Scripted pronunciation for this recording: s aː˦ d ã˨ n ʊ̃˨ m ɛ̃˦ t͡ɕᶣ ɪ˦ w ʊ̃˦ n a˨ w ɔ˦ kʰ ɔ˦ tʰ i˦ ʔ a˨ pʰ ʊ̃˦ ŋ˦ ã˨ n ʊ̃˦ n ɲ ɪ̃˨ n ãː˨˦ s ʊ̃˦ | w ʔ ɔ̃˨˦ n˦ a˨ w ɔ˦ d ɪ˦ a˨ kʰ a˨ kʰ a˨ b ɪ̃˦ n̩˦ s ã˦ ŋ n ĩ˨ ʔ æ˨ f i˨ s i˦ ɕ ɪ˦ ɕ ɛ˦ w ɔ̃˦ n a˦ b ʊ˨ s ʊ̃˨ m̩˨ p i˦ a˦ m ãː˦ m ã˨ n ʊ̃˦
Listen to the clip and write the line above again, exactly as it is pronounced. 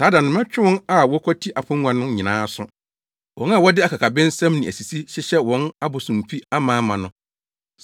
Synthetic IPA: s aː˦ d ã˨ n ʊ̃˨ m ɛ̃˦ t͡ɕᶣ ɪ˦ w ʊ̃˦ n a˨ w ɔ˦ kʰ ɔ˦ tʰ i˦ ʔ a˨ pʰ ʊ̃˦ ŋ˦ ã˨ n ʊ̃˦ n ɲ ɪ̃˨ n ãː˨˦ s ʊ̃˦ | w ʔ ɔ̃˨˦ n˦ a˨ w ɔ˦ d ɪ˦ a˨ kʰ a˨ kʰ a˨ b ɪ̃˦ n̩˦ s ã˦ m n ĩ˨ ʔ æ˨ s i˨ s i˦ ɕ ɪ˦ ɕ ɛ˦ w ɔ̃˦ n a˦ b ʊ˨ s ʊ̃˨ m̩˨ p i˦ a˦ m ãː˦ m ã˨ n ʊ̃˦